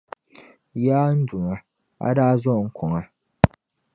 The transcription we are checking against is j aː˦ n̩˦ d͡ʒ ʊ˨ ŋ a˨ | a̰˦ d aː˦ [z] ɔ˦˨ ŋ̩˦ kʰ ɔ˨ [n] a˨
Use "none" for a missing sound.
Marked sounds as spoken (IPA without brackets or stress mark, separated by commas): z, ŋ